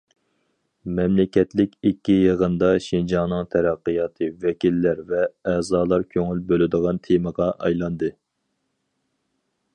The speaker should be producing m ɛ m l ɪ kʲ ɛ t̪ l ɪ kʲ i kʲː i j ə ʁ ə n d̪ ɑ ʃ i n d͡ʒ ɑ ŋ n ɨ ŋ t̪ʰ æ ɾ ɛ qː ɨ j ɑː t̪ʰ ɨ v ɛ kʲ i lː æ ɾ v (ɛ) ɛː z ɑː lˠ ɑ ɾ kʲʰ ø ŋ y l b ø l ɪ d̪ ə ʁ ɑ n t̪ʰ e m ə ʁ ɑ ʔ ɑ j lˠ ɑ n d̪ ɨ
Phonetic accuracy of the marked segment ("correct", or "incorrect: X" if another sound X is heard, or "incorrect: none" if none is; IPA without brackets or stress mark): correct